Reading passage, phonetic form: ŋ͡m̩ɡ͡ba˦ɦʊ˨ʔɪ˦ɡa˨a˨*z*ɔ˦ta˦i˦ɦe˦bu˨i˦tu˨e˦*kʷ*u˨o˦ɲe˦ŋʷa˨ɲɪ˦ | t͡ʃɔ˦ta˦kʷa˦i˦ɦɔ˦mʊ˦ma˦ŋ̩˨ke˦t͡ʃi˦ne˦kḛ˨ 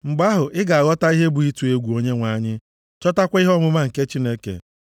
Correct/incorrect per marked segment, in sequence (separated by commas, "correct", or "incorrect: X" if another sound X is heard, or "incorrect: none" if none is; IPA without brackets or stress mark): incorrect: ɣ, incorrect: ɡʷ